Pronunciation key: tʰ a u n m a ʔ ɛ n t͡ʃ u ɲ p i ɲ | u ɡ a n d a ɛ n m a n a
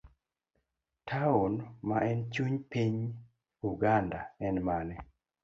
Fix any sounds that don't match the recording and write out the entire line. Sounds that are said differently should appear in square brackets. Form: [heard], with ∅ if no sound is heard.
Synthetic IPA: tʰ a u n m a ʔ ɛ n t͡ʃ u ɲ p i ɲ | u ɡ a n d a ɛ n m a n [ɛ]